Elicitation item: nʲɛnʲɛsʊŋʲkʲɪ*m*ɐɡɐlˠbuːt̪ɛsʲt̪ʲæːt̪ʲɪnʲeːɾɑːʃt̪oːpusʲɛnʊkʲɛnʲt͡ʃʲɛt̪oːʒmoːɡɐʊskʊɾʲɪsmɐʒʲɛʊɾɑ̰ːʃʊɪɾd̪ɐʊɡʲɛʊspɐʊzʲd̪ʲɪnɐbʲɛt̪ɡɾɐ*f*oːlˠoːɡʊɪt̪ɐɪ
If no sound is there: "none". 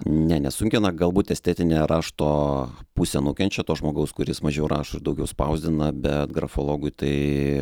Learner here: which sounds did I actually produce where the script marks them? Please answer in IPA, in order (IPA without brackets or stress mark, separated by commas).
n, f